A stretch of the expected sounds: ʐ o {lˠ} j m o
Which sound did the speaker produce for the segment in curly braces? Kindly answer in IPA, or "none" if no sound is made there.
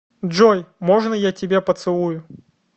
none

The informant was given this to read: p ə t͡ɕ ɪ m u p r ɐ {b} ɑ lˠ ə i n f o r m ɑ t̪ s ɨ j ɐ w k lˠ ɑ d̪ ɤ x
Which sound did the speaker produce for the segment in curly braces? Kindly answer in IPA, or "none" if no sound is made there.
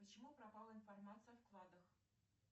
p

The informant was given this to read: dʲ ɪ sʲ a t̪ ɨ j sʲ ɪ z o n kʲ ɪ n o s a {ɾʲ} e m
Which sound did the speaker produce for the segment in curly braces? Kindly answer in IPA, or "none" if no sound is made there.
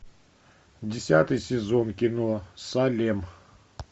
lʲ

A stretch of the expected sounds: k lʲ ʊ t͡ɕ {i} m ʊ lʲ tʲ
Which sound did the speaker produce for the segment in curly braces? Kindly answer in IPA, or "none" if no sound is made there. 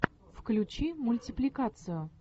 i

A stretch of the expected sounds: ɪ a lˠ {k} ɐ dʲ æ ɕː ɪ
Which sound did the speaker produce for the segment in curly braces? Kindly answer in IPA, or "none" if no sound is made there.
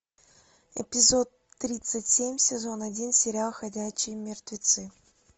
x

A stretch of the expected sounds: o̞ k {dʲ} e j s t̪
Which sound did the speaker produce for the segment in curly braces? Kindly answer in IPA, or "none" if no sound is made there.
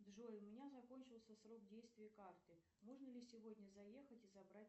dʲ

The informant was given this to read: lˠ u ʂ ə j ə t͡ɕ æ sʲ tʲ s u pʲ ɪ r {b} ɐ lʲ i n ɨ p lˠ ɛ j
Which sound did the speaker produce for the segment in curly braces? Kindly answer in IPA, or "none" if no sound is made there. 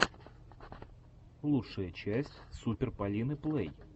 p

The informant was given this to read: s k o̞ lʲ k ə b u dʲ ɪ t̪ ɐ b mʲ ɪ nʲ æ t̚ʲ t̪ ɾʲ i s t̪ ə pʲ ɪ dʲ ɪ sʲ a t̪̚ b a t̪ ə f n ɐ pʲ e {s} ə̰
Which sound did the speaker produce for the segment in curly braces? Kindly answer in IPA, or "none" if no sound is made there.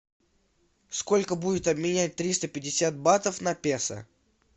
s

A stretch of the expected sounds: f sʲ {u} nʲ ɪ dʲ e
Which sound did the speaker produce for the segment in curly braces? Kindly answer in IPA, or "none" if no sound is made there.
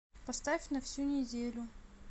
u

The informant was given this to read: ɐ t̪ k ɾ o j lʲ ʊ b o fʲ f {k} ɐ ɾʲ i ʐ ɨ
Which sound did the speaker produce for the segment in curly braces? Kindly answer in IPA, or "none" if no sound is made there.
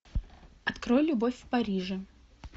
p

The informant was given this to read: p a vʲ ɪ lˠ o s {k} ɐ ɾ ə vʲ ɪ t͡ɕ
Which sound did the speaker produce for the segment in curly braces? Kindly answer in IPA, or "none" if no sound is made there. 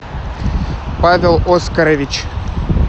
k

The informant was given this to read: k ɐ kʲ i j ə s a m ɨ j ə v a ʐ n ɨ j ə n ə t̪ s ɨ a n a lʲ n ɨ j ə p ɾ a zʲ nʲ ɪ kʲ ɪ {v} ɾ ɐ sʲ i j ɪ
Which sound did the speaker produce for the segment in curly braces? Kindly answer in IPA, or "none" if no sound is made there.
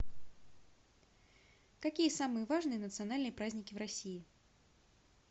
v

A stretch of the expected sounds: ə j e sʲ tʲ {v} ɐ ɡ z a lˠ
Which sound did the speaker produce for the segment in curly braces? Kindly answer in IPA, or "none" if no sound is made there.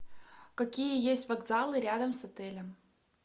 v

